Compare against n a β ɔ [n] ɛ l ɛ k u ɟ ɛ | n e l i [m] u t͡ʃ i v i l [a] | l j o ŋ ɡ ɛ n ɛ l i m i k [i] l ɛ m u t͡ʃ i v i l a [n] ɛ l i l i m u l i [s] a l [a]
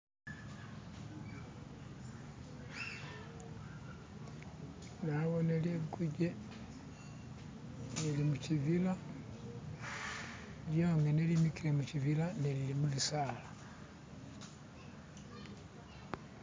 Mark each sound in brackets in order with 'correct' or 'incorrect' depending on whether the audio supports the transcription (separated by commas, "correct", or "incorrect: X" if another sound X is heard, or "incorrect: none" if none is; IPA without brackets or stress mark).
correct, correct, correct, correct, correct, correct, correct